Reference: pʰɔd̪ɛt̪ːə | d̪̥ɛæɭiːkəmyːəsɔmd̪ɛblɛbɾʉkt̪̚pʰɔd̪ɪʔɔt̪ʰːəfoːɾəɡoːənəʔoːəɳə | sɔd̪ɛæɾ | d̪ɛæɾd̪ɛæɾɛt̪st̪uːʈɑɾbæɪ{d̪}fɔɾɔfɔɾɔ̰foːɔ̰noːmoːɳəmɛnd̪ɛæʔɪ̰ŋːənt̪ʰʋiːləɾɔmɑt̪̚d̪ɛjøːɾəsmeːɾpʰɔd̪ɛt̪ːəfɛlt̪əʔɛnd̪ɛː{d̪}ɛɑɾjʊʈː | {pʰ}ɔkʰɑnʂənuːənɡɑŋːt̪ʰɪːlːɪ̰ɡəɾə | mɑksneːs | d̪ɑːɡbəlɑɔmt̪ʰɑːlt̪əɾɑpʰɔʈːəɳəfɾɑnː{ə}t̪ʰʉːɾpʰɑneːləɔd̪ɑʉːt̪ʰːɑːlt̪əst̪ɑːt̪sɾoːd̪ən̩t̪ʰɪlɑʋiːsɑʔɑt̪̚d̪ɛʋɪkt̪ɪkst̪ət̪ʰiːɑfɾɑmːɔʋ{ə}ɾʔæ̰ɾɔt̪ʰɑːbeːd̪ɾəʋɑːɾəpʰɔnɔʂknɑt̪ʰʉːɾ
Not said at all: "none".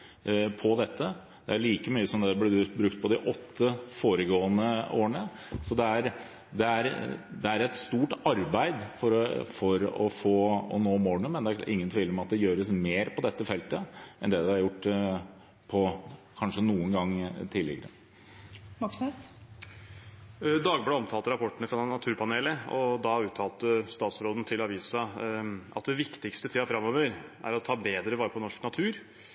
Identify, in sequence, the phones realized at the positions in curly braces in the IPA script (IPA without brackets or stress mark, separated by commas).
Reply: d̪, d̪, pʰ, ɑ, ə